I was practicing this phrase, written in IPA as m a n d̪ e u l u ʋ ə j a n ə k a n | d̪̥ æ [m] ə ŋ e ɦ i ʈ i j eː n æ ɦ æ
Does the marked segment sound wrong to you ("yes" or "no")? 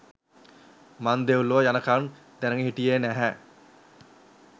yes